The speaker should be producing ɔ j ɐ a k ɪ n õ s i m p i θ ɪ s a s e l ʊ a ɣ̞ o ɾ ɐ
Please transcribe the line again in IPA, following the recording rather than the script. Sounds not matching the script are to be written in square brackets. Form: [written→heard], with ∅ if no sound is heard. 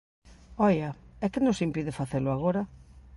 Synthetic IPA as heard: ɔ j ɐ [a→ɛ] k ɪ n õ s i m p i [θ→ð] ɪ [s→f] a [s→θ] e l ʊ a ɣ̞ o ɾ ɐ